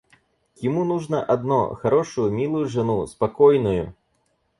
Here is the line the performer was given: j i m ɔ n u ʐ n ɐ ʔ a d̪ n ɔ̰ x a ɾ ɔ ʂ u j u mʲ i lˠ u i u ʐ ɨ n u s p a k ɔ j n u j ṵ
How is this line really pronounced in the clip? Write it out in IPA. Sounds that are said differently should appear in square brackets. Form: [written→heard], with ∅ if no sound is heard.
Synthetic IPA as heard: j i m [ɔ→u] n u ʐ n ɐ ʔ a d̪ n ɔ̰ x a ɾ ɔ ʂ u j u mʲ i lˠ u [i→j] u ʐ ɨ n u s p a k ɔ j n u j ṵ

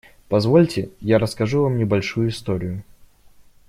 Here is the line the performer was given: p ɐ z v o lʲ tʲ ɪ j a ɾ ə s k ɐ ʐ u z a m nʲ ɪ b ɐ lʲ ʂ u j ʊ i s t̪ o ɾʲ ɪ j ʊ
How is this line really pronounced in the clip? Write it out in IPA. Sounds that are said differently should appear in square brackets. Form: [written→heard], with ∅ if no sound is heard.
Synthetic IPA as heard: p ɐ z v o lʲ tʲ ɪ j a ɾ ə s k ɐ ʐ u [z→v] a m nʲ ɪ b ɐ lʲ ʂ u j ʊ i s t̪ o ɾʲ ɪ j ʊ

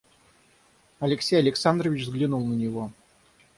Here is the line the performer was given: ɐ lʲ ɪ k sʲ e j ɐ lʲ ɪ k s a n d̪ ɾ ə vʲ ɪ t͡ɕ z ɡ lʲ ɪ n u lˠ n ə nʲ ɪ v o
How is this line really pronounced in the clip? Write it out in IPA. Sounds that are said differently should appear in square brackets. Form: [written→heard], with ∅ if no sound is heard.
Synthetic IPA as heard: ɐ lʲ ɪ k sʲ e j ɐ lʲ ɪ k s a n d̪ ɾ ə vʲ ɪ t͡ɕ z ɡ lʲ ɪ n u lˠ n ə nʲ ɪ v o

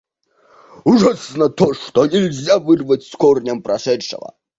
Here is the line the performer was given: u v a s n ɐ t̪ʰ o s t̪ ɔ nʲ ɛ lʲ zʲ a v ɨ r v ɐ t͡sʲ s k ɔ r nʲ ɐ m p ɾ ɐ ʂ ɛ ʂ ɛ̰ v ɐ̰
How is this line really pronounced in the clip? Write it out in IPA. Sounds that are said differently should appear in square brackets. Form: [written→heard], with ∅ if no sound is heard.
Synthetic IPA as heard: u [v→ʐ] a s n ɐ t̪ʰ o [s→ʂ] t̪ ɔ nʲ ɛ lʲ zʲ a v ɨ r v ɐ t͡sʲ s k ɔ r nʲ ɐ m p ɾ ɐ ʂ ɛ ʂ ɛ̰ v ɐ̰

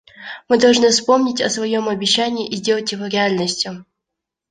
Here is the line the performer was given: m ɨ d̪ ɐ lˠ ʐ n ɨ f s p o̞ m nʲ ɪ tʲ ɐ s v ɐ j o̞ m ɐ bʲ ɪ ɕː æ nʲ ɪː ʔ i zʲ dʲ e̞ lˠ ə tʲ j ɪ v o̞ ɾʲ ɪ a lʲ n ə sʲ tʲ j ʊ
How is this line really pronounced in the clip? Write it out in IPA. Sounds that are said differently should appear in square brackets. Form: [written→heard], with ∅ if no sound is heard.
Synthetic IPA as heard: m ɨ d̪ ɐ lˠ ʐ n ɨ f s p o̞ m nʲ ɪ tʲ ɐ s v ɐ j o̞ m ɐ bʲ ɪ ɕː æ nʲ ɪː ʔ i zʲ dʲ e̞ lˠ ə tʲ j ɪ v o̞ ɾʲ ɪ a lʲ n ə sʲ tʲ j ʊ

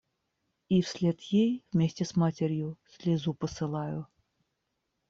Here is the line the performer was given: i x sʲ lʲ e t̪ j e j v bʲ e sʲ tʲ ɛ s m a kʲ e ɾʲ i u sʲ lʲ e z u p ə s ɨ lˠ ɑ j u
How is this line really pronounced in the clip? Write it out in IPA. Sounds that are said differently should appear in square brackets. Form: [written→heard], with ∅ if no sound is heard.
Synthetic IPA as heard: i [x→f] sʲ lʲ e t̪ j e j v [bʲ→mʲ] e sʲ tʲ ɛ s m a [kʲ→tʲ] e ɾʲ [i→j] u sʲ lʲ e z u p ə s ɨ lˠ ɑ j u

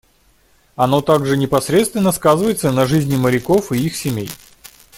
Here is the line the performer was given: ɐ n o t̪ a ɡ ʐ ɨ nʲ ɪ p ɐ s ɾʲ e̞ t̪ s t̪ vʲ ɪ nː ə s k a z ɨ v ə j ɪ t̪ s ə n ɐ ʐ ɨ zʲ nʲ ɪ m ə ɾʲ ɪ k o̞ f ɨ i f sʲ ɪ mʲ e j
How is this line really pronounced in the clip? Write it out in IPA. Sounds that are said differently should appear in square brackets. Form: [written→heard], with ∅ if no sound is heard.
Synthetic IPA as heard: ɐ n o t̪ a ɡ ʐ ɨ nʲ ɪ p ɐ s ɾʲ e̞ t̪ s t̪ vʲ ɪ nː ə s k a z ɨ v ə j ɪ t̪ s ə n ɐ ʐ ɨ zʲ nʲ ɪ m ə ɾʲ ɪ k o̞ f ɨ i [f→x] sʲ ɪ mʲ e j

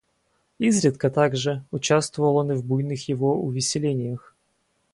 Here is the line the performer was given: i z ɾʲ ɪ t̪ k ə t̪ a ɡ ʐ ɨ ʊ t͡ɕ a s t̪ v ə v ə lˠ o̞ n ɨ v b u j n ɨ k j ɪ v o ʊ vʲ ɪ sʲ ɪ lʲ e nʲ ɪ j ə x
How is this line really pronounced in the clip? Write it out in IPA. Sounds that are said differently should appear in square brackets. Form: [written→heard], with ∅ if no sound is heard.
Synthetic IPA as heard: i z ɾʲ ɪ t̪ k ə t̪ a ɡ ʐ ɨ ʊ t͡ɕ a s t̪ v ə v ə lˠ o̞ n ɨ v b u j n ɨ [k→x] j ɪ v o ʊ vʲ ɪ sʲ ɪ lʲ e nʲ ɪ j ə x

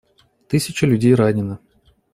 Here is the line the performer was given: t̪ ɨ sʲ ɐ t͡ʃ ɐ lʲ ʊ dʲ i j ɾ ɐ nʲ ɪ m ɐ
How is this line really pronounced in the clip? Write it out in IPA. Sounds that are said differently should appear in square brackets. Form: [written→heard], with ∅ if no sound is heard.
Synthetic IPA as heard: t̪ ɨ sʲ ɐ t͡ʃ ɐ lʲ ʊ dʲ [i→e] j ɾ [ɐ→a] nʲ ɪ [m→n] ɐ

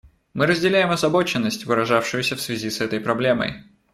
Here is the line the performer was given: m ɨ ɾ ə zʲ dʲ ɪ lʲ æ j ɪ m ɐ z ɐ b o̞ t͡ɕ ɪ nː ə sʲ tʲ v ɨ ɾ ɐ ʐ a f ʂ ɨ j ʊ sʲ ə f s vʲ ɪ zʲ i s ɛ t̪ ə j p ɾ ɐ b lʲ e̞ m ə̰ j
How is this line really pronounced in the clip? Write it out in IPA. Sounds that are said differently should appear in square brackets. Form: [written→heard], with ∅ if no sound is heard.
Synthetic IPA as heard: m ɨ ɾ ə zʲ dʲ ɪ lʲ æ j ɪ m ɐ z ɐ b o̞ t͡ɕ ɪ nː ə sʲ tʲ v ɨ ɾ ɐ ʐ a f ʂ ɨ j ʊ sʲ ə f s vʲ ɪ zʲ i s ɛ t̪ ə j p ɾ ɐ b lʲ e̞ m ə̰ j

